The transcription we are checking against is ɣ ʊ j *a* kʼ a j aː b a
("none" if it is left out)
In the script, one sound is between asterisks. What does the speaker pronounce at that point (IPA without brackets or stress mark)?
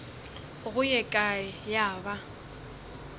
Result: ɛ